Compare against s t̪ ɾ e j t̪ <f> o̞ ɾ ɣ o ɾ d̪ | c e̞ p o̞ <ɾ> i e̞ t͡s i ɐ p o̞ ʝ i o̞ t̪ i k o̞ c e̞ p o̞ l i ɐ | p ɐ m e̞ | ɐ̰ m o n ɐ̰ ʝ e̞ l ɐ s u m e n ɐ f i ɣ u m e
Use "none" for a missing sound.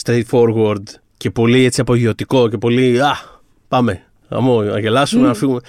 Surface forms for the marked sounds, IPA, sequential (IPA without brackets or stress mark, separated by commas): f, l